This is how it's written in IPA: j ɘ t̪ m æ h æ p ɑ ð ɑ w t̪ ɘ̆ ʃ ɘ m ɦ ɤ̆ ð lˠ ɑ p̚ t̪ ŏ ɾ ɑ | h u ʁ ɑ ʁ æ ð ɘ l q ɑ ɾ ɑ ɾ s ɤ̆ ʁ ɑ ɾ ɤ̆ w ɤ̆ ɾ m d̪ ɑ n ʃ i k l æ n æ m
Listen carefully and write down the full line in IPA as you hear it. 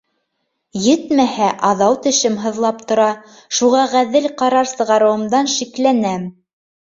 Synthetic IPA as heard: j ɘ t̪ m æ h æ ʔ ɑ ð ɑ w t̪ ɘ̆ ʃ ɘ m ɦ ɤ̆ ð lˠ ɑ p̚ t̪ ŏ ɾ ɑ | ʃ u ʁ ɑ ʁ æ ð ɘ l q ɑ ɾ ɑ ɾ s ɤ̆ ʁ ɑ ɾ ɤ̆ w ɤ̆ m d̪ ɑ n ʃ i k l æ n æ m